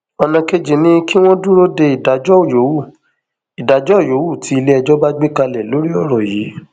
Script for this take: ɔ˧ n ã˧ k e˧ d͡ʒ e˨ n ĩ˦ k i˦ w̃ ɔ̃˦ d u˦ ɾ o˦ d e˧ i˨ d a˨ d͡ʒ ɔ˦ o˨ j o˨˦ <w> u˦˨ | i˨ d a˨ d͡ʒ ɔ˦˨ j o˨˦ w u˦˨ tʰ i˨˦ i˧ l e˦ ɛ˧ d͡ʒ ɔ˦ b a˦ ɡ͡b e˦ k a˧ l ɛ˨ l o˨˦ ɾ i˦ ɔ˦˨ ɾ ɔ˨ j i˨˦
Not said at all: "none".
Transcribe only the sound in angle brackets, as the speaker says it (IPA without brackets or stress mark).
w